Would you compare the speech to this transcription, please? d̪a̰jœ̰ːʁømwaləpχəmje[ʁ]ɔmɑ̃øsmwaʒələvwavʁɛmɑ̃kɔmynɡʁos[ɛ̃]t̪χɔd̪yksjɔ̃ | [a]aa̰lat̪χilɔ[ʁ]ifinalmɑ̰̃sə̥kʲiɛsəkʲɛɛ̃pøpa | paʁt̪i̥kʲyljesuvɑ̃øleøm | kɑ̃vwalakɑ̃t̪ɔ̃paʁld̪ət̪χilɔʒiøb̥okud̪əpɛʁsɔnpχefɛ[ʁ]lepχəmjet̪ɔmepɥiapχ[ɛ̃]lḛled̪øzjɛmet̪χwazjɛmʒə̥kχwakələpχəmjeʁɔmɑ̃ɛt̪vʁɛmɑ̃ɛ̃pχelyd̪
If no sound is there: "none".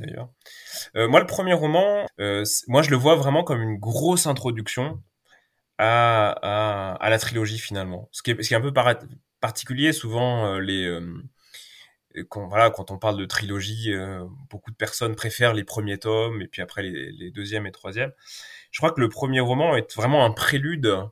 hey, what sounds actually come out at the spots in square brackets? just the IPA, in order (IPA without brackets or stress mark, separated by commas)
ʁ, ɛ̃, a, ʒ, ʁ, ɛ